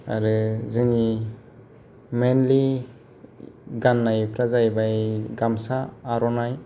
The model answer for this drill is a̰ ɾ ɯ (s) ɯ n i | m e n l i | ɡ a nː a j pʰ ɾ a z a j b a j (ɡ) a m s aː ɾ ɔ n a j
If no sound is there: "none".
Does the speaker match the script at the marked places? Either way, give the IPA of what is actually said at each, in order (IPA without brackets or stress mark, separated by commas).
z, ɡ